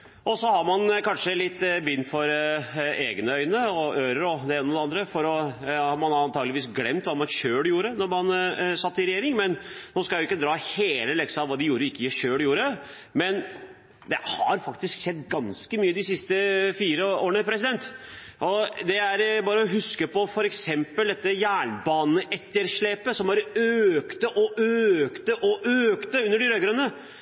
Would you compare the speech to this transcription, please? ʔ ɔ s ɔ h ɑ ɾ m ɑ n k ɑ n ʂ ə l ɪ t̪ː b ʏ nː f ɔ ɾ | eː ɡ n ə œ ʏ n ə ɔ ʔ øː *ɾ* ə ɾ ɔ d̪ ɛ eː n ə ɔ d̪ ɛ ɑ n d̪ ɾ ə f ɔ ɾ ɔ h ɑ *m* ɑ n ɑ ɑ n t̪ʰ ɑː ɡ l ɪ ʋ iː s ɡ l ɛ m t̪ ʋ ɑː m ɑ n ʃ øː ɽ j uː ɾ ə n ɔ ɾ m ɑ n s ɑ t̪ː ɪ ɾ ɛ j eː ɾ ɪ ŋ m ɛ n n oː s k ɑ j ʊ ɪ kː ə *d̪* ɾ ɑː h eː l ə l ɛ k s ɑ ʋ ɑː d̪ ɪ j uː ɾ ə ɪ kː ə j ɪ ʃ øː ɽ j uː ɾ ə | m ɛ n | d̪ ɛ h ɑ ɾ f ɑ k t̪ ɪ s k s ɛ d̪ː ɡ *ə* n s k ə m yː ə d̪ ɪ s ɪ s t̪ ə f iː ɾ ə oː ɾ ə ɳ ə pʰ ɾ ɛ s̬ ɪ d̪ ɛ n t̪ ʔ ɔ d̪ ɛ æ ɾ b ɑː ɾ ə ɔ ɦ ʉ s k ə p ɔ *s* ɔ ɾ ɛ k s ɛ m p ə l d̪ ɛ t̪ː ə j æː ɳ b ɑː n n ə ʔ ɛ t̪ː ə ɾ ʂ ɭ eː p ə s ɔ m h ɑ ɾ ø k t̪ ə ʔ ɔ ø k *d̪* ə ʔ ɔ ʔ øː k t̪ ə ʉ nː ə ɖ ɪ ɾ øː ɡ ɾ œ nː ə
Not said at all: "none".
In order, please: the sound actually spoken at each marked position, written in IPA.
ɾ, m, d̪, ɑ, f, t̪

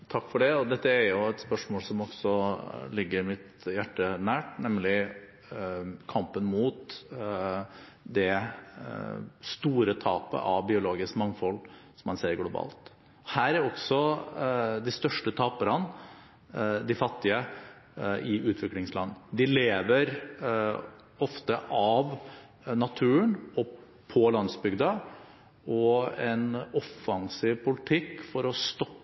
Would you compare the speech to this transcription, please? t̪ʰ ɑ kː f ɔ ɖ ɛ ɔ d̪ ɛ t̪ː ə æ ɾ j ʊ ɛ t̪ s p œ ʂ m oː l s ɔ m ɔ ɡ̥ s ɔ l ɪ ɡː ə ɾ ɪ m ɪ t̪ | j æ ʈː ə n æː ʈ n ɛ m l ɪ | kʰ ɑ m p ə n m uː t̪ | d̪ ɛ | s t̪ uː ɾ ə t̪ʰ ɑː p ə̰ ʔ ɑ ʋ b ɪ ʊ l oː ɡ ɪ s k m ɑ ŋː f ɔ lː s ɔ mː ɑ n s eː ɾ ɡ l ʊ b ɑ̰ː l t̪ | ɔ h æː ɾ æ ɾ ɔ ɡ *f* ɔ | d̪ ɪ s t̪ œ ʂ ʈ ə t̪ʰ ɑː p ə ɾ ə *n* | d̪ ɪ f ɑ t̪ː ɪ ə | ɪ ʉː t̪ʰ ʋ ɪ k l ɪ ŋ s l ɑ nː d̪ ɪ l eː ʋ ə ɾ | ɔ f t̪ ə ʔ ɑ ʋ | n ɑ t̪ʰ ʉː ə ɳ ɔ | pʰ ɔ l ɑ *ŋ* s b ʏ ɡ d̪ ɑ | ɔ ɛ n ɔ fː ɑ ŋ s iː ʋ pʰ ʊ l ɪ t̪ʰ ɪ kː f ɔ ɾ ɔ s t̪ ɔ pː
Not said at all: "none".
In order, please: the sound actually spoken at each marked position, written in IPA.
s, n, n

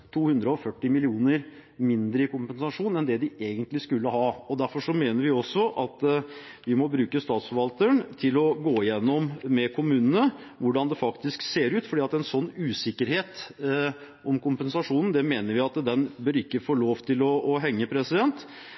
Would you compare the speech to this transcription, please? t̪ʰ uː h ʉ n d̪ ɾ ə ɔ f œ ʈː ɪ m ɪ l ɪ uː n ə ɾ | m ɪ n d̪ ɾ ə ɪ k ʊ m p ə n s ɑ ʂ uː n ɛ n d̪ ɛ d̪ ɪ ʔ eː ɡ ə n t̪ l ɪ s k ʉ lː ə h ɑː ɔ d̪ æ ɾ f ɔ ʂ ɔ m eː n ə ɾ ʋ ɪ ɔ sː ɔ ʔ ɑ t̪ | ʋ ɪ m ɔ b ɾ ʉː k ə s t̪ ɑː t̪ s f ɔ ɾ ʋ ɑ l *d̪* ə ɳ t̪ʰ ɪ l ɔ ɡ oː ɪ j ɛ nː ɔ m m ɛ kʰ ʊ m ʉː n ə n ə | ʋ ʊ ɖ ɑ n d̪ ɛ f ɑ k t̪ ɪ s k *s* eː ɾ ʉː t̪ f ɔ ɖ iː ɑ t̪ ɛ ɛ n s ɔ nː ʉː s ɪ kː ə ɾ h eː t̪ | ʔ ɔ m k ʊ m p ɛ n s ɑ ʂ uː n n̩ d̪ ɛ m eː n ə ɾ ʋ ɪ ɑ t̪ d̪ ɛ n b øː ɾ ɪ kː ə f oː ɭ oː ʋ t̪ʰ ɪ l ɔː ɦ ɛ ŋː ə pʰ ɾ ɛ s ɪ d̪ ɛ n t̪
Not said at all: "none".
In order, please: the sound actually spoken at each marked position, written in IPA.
t̪, s

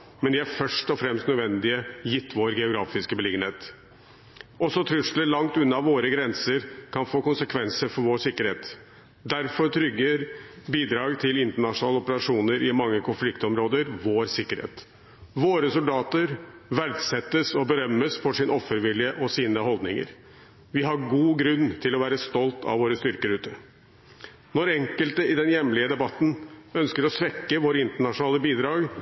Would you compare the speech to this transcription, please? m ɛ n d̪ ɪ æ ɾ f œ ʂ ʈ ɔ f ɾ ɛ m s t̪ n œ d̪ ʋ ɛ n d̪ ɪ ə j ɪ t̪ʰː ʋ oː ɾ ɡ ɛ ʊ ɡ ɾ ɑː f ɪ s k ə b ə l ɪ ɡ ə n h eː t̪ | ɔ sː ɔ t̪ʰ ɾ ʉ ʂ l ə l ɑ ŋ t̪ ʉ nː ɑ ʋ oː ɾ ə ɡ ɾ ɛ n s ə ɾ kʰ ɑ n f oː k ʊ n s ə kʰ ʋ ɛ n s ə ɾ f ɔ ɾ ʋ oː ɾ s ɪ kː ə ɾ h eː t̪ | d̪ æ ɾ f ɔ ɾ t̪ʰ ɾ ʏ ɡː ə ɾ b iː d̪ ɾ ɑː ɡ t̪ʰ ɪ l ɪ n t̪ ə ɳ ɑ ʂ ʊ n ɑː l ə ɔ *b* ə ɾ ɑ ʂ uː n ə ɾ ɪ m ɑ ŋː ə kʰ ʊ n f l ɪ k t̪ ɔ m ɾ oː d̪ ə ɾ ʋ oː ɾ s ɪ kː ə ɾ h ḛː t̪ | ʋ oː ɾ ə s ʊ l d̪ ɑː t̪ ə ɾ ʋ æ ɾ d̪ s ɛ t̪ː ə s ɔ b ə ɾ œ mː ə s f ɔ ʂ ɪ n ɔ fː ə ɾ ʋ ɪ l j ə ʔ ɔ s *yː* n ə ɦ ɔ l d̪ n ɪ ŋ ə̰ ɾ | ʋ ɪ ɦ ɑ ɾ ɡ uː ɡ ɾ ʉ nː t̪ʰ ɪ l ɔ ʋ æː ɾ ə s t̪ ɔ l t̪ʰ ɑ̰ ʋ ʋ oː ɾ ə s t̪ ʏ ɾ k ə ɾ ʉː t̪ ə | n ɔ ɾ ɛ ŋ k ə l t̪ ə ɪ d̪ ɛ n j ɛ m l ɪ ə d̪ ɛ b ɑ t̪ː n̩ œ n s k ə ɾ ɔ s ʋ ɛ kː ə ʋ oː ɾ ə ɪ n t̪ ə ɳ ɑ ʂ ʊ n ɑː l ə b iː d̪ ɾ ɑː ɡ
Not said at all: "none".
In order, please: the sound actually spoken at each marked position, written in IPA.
p, iː

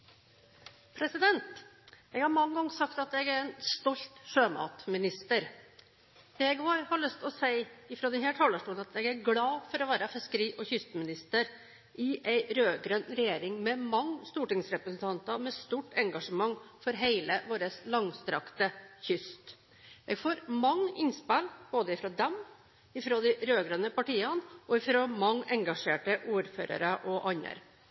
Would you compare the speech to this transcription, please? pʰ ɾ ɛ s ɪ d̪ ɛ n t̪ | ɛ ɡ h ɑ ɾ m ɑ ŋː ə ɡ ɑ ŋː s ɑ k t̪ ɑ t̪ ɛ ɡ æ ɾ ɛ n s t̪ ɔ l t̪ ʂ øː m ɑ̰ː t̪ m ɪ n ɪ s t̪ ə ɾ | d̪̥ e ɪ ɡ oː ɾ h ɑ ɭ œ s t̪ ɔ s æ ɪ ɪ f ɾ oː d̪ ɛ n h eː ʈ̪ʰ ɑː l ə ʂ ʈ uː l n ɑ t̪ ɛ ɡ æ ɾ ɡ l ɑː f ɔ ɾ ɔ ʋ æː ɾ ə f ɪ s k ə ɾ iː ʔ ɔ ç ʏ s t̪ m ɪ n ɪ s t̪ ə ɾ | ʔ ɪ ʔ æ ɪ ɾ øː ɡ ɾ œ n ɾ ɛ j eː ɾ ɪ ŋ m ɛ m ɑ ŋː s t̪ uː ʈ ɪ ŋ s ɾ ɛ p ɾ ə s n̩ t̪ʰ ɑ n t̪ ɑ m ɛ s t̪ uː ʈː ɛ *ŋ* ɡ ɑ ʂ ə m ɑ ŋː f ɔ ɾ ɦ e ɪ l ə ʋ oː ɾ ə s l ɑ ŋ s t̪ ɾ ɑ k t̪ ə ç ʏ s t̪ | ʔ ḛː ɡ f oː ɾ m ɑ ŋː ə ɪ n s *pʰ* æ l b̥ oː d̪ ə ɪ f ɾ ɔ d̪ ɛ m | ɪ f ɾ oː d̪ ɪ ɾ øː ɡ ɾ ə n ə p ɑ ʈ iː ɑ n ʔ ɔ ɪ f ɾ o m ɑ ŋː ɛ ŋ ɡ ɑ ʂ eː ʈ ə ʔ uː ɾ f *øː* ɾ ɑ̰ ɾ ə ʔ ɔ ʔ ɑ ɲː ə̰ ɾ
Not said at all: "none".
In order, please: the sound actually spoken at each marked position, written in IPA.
ŋ, p, øː

